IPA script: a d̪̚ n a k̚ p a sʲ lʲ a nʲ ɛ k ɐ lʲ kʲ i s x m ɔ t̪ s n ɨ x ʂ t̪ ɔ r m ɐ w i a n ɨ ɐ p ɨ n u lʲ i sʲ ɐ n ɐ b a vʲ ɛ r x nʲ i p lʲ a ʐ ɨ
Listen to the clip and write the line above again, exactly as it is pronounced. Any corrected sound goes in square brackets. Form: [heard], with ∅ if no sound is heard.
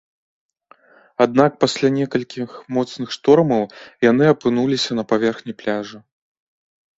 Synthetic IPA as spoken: a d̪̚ n a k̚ p a sʲ lʲ a nʲ ɛ k ɐ lʲ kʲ i [∅] x m ɔ t̪ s n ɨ x ʂ t̪ ɔ r m ɐ w [j] a n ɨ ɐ p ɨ n u lʲ i sʲ ɐ n ɐ [p] a vʲ ɛ r x nʲ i p lʲ a ʐ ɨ